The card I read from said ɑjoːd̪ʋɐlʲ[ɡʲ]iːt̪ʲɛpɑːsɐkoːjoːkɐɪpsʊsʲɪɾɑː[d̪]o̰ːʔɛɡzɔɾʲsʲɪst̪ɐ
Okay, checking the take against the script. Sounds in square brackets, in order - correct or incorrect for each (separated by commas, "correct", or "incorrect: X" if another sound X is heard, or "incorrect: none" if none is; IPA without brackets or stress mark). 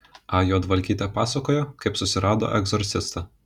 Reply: incorrect: kʲ, correct